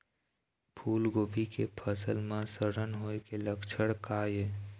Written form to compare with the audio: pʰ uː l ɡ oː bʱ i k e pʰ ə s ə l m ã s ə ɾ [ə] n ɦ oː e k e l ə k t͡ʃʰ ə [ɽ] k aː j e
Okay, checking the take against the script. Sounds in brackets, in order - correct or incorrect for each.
correct, correct

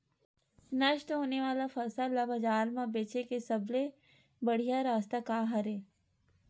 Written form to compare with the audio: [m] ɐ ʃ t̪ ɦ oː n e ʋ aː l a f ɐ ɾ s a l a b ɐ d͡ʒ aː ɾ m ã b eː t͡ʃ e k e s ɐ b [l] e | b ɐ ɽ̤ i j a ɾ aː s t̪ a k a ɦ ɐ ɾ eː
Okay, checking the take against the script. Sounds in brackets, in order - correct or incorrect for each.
incorrect: n, correct

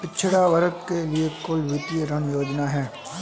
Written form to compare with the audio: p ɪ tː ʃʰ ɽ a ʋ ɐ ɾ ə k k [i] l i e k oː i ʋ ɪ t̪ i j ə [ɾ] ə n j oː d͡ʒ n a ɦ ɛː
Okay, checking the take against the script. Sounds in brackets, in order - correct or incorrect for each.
incorrect: e, correct

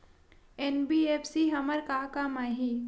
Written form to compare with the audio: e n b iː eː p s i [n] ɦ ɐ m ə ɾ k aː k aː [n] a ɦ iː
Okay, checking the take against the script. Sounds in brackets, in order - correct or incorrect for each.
incorrect: none, incorrect: m

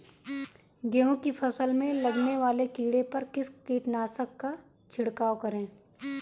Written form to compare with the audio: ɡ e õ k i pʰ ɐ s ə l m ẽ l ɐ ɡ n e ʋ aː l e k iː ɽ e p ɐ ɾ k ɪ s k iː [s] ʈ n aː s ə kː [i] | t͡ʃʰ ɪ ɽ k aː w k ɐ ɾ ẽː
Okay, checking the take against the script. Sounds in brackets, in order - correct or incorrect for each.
incorrect: none, incorrect: a

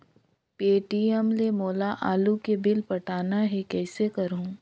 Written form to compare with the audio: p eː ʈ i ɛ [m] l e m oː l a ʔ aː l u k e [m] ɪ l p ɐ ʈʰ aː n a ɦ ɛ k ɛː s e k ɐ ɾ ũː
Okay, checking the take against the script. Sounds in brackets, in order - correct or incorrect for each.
correct, incorrect: b

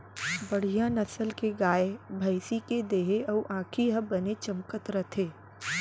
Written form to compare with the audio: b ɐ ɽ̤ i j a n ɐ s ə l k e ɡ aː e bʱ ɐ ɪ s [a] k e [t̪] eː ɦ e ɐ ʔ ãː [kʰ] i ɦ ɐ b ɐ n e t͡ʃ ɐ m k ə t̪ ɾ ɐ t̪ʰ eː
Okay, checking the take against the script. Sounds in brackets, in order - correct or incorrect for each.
incorrect: i, incorrect: d̪, correct

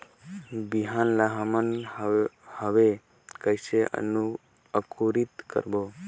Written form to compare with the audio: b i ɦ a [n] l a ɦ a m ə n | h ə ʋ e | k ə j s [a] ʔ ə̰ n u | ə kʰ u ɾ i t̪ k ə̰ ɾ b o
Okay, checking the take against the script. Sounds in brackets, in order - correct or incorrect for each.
correct, incorrect: e

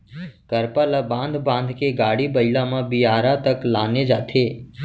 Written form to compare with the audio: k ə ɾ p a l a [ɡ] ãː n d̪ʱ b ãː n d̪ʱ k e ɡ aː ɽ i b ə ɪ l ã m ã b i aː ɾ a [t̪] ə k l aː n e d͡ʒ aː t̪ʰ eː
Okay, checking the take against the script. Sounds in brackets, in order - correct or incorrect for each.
incorrect: b, correct

